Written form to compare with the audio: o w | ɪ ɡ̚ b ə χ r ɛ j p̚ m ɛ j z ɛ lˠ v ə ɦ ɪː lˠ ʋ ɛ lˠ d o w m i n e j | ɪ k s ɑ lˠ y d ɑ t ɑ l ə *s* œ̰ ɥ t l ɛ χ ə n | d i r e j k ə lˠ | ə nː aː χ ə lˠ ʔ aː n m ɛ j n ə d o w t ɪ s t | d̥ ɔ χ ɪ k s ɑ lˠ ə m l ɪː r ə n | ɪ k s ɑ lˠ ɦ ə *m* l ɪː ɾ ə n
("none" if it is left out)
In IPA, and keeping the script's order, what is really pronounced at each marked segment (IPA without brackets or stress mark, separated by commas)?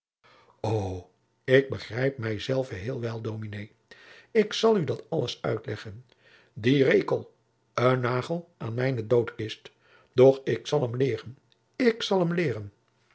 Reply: s, m